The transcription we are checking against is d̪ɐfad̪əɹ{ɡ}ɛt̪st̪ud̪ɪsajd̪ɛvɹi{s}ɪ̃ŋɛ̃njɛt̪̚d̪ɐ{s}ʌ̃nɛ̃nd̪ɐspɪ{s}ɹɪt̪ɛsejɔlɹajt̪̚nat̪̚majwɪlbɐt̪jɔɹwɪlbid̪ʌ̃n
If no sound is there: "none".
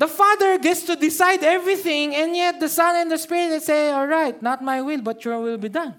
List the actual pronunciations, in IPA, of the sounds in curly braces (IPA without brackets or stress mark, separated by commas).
ɡ, θ, s, none